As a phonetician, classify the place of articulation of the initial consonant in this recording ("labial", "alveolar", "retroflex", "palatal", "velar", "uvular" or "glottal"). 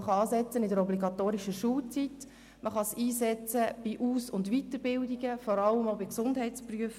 uvular